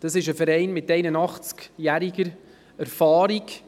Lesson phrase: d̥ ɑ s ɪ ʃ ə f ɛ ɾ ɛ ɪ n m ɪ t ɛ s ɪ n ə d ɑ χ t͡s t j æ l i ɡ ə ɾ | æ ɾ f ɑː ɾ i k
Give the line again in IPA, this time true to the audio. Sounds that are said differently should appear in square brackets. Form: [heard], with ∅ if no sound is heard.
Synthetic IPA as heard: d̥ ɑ s ɪ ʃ ə f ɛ ɾ ɛ ɪ n m ɪ t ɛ [∅] ɪ n ə [n] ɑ χ t͡s [k] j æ [ɾ] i ɡ ə ɾ | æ ɾ f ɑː ɾ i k